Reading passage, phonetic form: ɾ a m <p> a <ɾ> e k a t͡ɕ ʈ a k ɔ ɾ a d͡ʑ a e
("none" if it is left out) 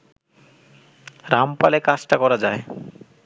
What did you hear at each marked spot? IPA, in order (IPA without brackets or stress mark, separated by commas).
p, l